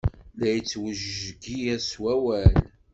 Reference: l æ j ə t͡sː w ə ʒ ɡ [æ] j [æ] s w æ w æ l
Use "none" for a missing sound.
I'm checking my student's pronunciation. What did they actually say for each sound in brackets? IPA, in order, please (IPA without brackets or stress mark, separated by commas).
i, æ